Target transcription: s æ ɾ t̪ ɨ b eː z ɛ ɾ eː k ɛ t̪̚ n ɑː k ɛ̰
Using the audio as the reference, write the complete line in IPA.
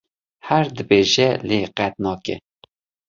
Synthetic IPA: h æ ɾ d̪ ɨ b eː ʒ ɛ l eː q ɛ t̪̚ n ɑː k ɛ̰